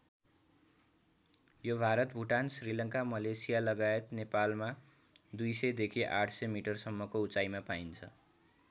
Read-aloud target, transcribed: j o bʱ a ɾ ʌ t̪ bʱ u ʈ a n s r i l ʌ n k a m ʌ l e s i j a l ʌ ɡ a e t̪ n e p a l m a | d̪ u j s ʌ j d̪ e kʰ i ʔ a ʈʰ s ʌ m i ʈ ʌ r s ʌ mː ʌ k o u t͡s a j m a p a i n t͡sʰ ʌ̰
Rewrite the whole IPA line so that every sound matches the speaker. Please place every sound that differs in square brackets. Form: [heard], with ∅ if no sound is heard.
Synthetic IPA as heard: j o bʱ a ɾ ʌ t̪ bʱ u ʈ a n s r i l ʌ [ŋ] k a m ʌ l e s i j a l ʌ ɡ a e t̪ n e p a l m a | d̪ u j s ʌ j d̪ e kʰ i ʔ a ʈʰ s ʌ m i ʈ ʌ r s ʌ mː ʌ k o u t͡s a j m a p a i n t͡sʰ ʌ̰